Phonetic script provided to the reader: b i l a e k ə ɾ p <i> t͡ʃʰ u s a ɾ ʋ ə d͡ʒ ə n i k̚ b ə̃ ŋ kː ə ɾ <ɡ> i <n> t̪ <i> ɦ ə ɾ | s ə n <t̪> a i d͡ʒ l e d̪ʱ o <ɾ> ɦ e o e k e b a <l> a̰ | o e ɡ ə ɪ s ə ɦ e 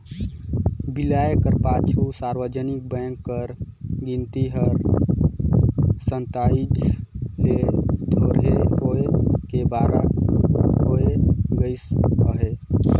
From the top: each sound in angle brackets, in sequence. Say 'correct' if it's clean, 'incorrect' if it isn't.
incorrect: a, correct, correct, correct, correct, correct, incorrect: ɾ

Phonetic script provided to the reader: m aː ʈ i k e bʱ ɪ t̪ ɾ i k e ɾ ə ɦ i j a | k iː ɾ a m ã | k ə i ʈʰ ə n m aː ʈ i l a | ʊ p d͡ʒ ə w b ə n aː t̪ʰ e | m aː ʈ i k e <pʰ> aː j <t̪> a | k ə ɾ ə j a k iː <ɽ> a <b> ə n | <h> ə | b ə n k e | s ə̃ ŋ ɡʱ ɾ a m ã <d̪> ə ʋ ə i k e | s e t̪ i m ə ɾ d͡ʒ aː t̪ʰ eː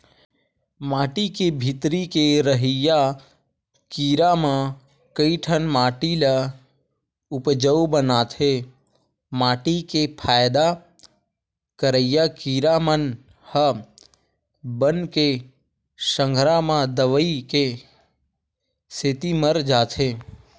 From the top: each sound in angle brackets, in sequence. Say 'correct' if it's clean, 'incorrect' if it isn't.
correct, incorrect: d̪, incorrect: ɾ, incorrect: m, correct, correct

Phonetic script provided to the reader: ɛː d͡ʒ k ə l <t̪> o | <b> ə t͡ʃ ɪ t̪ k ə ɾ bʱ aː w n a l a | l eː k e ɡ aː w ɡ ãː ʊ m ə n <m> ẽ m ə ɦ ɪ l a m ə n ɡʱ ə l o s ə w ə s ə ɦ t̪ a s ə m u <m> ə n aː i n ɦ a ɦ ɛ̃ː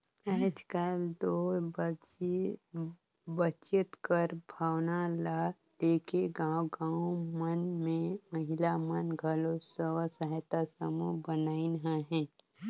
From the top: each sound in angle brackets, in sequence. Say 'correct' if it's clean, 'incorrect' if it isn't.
incorrect: d̪, correct, correct, incorrect: b

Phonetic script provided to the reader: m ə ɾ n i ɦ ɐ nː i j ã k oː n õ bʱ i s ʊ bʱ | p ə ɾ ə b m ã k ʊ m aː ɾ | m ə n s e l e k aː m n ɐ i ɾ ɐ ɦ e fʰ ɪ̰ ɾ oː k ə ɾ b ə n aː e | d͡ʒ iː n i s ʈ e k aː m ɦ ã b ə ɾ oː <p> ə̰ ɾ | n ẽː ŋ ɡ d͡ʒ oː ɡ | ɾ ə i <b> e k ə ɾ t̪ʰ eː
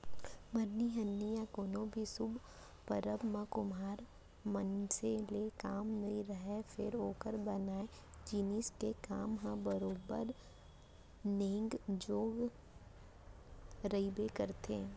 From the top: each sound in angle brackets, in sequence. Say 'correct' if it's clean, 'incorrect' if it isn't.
incorrect: b, correct

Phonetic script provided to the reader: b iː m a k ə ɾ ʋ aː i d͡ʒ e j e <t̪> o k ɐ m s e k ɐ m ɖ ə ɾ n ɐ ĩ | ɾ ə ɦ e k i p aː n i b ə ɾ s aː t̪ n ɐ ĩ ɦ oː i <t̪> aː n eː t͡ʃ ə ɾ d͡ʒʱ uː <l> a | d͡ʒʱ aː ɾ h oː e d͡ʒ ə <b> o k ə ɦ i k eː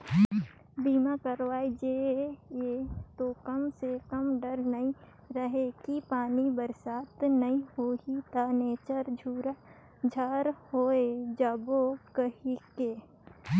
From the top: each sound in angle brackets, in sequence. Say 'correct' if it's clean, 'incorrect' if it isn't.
correct, correct, incorrect: ɾ, correct

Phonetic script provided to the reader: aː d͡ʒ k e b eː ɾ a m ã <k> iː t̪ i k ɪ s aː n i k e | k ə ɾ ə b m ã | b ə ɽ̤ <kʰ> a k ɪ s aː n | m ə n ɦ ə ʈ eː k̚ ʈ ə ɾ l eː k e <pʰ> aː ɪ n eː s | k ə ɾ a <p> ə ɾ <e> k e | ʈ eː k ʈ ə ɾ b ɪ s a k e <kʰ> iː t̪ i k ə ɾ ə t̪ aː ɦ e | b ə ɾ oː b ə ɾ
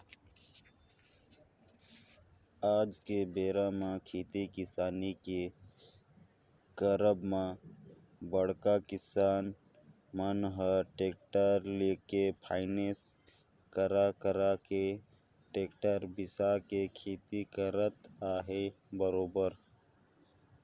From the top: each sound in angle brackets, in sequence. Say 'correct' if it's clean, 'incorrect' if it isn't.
incorrect: kʰ, incorrect: k, correct, incorrect: k, incorrect: a, correct

